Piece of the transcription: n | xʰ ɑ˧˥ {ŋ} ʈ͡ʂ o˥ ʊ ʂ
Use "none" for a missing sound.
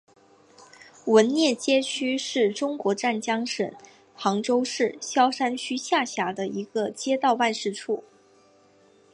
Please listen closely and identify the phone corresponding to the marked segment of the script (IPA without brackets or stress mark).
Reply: ŋ